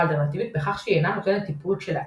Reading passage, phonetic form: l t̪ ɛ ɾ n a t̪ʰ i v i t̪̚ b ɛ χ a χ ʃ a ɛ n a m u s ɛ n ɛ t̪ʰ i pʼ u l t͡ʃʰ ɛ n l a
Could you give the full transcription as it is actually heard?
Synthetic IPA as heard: l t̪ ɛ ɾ n a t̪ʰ i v i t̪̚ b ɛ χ a χ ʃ i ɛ n a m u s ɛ n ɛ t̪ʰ i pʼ u l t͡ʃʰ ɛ l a